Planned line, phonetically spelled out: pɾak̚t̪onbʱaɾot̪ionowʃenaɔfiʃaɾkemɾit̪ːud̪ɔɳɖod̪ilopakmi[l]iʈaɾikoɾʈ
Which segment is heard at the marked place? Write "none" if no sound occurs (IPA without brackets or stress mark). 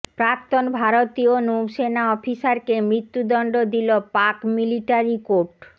l